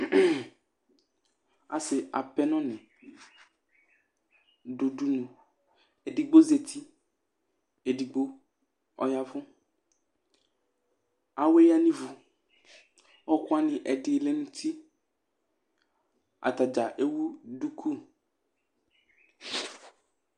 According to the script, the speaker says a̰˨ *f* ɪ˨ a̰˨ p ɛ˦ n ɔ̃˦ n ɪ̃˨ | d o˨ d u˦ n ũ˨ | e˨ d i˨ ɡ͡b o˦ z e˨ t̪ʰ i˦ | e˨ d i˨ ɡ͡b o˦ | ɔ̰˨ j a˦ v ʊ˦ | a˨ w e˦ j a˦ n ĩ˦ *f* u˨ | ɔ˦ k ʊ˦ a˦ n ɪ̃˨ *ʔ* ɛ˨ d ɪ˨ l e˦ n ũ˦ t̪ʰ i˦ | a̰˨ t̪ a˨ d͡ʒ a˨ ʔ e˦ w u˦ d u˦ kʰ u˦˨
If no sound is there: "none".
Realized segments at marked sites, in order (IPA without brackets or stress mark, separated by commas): s, v, ʔ